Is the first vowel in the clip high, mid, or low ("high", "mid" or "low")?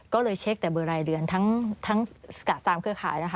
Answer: mid